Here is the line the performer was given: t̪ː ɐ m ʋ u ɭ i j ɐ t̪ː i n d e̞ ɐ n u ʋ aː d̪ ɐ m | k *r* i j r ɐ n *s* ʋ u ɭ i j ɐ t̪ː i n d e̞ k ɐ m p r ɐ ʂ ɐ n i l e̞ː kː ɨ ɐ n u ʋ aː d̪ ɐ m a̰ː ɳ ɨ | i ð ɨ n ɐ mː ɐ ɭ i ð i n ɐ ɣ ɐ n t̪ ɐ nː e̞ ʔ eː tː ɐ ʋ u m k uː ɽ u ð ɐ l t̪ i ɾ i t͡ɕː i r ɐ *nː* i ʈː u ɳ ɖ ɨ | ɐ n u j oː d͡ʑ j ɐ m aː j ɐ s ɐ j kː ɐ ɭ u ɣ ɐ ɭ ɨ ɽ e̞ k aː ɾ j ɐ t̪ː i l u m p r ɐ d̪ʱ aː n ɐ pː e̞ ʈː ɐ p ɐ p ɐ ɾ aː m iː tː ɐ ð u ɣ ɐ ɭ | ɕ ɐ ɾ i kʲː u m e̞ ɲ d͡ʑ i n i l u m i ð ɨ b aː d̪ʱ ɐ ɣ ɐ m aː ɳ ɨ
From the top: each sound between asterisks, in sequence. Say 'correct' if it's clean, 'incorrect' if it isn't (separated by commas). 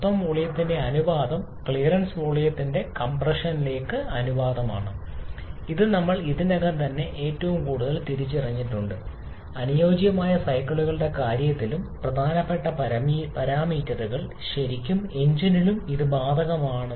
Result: incorrect, correct, incorrect